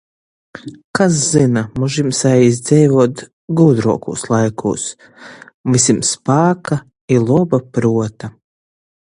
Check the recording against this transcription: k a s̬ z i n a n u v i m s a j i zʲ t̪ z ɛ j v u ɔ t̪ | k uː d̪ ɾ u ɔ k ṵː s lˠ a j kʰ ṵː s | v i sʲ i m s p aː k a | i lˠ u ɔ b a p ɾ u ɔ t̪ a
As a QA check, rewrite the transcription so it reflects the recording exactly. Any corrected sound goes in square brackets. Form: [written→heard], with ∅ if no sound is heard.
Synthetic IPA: k a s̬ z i n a [n→m] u [v→ʒ] i m s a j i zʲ [t̪→d̪] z ɛ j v u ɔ t̪ | [k→ɡ] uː d̪ ɾ u ɔ k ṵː s lˠ a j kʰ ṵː s | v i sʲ i m s p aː k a | i lˠ u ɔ b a p ɾ u ɔ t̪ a

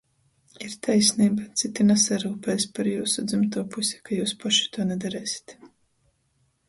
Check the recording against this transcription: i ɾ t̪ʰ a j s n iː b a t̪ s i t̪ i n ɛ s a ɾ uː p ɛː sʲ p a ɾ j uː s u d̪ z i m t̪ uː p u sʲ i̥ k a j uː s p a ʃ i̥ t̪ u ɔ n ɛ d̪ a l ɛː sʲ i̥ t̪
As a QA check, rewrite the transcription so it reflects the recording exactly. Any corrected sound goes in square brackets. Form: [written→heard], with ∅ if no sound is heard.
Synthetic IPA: i ɾ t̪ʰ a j s n iː b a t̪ s i t̪ i n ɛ s a ɾ uː p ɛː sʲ p a ɾ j uː s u d̪ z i m t̪ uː p u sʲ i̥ k a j uː s p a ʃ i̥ t̪ u ɔ n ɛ d̪ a [l→ɾ] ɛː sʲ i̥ t̪

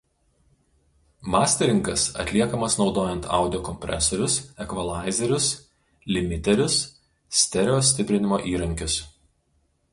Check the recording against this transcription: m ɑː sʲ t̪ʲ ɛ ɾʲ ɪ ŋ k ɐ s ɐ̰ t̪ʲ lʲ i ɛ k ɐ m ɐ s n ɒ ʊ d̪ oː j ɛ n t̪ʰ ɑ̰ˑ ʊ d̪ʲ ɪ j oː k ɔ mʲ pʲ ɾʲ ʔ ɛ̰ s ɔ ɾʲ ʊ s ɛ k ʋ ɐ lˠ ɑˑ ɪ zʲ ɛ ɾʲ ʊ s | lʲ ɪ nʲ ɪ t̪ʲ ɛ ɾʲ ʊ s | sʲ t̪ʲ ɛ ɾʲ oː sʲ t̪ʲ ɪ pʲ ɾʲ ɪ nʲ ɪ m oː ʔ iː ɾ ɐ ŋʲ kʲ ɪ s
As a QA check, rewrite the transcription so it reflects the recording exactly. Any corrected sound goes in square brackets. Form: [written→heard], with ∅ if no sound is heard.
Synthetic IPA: m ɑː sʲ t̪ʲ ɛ ɾʲ ɪ ŋ k ɐ s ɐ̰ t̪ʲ lʲ i ɛ k ɐ m ɐ s n ɒ ʊ d̪ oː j ɛ n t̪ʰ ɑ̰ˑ ʊ d̪ʲ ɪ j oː k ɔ mʲ pʲ ɾʲ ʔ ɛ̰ s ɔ ɾʲ ʊ s ɛ k ʋ ɐ lˠ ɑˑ ɪ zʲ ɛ ɾʲ ʊ s | lʲ ɪ [nʲ→mʲ] ɪ t̪ʲ ɛ ɾʲ ʊ s | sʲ t̪ʲ ɛ ɾʲ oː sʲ t̪ʲ ɪ pʲ ɾʲ ɪ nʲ ɪ m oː ʔ iː ɾ ɐ ŋʲ kʲ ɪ s

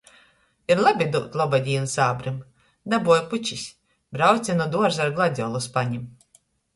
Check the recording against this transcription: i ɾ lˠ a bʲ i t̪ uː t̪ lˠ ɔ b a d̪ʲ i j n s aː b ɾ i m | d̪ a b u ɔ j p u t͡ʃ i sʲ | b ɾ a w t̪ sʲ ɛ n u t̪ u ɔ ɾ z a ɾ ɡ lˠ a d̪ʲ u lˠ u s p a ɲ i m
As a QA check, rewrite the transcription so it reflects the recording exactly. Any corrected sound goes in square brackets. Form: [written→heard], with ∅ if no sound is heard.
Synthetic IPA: i ɾ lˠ a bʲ i [t̪→d̪] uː t̪ lˠ ɔ b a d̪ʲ i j n s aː b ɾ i m | d̪ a b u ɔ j p u t͡ʃ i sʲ | b ɾ a w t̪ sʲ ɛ n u [t̪→d̪] u ɔ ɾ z a ɾ ɡ lˠ a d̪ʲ [u→ɔ] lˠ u s p a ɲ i m

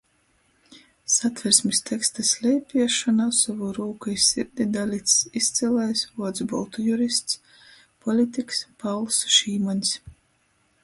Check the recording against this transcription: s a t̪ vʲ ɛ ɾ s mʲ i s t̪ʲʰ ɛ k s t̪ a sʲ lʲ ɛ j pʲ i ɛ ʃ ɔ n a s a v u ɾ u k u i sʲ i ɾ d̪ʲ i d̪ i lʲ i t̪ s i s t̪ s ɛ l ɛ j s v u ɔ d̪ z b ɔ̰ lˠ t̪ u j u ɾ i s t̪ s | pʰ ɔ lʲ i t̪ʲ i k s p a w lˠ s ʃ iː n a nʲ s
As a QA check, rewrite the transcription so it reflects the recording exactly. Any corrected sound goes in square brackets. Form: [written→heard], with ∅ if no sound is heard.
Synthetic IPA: s a t̪ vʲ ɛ ɾ s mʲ i s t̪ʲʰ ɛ k s t̪ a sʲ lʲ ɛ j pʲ i ɛ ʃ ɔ n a s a v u ɾ [u→uː] k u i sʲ i ɾ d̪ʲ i d̪ [i→a] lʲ i t̪ s i s t̪ s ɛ l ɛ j s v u ɔ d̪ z b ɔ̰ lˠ t̪ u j u ɾ i s t̪ s | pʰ ɔ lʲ i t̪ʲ i k s p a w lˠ s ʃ iː [n→m] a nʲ s

